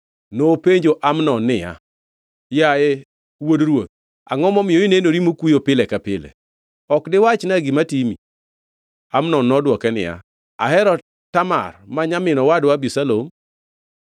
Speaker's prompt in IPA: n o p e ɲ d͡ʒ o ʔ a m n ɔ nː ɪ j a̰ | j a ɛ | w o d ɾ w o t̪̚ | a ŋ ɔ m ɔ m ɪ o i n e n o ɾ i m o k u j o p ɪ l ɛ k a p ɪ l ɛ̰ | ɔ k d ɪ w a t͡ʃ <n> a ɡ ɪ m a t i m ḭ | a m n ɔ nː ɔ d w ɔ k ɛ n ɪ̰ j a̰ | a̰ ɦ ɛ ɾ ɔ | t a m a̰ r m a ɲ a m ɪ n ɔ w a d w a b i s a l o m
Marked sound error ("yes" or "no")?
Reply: no